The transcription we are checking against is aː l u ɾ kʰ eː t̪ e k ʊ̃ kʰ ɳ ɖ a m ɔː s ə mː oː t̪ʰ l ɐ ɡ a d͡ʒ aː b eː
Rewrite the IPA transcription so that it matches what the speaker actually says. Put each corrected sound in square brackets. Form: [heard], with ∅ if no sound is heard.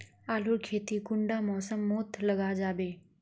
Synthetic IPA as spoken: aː l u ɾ kʰ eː t̪ [i] k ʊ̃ [∅] ɳ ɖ a m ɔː s ə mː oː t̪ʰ l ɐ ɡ a d͡ʒ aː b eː